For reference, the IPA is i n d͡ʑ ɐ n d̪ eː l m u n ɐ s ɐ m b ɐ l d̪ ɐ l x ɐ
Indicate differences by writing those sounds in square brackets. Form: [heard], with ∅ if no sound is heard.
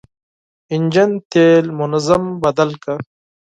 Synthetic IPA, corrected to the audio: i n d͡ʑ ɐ n [t̪] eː l m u n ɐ [z] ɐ m b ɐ [∅] d̪ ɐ l [k] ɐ